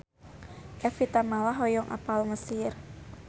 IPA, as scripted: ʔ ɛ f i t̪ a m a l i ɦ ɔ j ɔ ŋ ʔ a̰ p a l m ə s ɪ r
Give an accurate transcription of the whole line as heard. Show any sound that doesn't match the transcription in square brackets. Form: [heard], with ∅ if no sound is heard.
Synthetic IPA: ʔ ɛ f i t̪ a m a l [a] ɦ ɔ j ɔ ŋ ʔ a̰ p a l m ə s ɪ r